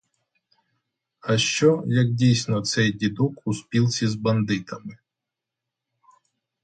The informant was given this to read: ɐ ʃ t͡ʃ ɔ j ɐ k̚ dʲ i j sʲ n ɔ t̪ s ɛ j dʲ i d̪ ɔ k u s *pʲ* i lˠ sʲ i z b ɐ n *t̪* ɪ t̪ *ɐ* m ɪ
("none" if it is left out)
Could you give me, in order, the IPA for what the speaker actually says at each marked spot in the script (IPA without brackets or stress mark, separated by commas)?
pʲ, d̪, ɐ